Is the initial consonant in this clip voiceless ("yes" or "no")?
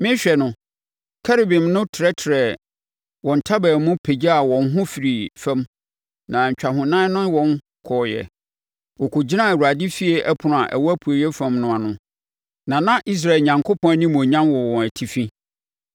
no